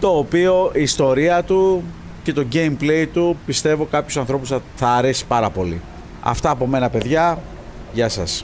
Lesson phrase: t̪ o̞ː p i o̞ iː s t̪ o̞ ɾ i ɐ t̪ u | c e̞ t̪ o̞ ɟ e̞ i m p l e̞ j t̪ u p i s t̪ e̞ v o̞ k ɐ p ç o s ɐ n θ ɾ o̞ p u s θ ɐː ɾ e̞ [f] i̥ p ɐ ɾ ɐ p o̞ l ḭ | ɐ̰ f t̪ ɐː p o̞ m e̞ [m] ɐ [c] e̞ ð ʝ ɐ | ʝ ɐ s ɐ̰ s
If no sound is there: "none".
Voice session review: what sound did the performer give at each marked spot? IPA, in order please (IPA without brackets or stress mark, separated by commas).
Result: s, n, p